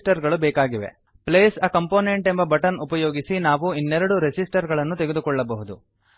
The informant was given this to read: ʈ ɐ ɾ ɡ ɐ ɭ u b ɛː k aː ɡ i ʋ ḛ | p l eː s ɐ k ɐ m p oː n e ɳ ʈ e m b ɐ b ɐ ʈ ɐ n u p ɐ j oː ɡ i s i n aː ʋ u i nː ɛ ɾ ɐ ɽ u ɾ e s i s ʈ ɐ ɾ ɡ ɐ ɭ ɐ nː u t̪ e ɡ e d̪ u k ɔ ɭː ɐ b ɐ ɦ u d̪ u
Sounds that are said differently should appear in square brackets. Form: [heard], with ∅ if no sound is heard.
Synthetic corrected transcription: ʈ ɐ ɾ ɡ ɐ ɭ u b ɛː k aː ɡ i ʋ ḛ | p l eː s ɐ k ɐ m p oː n e ɳ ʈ e m b ɐ b ɐ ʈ ɐ n u p ɐ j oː ɡ i s i n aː ʋ u i nː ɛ ɾ ɐ ɽ u ɾ e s i s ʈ ɐ ɾ ɡ ɐ ɭ ɐ nː u t̪ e ɡ e d̪ u k ɔ ɭː ɐ b ɐ ɦ u d̪ u